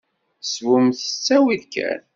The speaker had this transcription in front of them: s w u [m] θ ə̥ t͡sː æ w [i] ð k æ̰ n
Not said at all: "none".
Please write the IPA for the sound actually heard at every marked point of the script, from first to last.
m, i

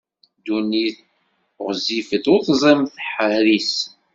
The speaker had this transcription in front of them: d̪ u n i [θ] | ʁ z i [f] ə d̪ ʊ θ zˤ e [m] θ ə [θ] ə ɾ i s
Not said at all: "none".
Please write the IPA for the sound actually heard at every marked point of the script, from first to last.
θ, f, m, ħ

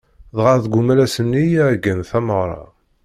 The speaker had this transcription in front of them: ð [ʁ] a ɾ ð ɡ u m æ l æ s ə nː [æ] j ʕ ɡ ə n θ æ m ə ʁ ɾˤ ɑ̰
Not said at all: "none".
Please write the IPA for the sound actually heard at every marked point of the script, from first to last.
ʁ, i

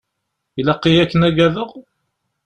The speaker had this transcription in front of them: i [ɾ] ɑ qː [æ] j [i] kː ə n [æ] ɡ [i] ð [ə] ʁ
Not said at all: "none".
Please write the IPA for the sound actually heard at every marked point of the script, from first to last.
l, i, æ, æ, æ, ə

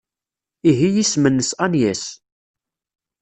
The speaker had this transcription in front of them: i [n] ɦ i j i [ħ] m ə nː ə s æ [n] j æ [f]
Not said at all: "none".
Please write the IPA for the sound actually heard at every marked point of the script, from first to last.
none, s, n, s

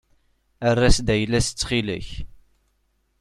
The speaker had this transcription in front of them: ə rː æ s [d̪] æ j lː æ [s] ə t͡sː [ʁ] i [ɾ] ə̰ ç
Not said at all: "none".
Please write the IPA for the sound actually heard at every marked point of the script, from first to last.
d̪, s, χ, l

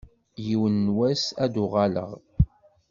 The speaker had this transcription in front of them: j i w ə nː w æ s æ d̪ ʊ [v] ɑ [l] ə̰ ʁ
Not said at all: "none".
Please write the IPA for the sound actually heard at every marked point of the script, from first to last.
ʁ, l

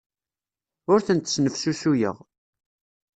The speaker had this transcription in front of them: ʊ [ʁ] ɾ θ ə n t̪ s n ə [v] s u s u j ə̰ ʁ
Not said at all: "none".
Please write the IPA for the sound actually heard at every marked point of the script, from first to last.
none, f

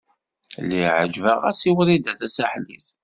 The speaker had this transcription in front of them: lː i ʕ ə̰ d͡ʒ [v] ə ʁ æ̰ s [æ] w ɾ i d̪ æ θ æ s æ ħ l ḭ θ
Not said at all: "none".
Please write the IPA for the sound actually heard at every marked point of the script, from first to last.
v, i

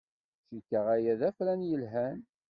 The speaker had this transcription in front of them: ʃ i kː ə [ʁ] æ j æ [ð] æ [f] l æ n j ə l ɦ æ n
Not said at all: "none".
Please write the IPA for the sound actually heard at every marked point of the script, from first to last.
ʁ, ð, f

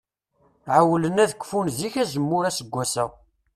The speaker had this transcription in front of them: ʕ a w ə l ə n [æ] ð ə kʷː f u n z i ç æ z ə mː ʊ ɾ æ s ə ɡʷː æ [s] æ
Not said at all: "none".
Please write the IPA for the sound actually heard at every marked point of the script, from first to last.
æ, s

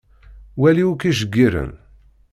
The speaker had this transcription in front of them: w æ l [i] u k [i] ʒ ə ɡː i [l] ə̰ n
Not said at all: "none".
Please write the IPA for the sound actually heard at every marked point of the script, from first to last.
i, i, ɾ

